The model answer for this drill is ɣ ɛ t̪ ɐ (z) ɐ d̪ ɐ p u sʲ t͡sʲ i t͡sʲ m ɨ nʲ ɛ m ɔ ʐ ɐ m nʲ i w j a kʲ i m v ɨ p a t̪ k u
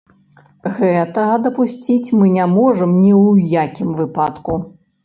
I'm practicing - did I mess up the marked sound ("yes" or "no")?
yes